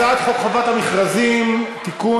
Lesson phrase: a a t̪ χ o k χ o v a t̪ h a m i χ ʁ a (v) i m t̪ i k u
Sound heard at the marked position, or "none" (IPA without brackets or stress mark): z